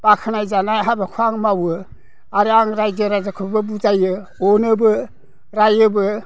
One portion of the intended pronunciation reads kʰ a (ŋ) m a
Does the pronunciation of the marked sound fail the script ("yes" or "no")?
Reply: no